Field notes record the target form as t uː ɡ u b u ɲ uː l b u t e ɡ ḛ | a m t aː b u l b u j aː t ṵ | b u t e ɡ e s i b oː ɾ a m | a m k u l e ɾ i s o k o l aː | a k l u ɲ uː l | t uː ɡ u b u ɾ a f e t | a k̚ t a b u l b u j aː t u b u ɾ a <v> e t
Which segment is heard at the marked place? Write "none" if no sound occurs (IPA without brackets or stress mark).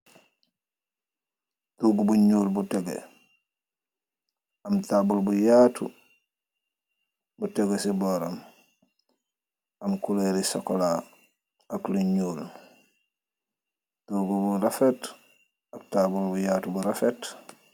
f